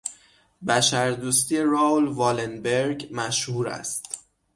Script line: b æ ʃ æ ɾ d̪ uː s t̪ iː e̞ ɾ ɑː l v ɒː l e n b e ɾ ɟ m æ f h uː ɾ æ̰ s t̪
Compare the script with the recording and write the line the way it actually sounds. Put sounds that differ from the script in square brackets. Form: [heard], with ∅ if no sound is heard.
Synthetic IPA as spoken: b æ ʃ æ ɾ d̪ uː s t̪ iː e̞ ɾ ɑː l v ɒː l e n b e ɾ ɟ m æ [ʃ] h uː ɾ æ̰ s t̪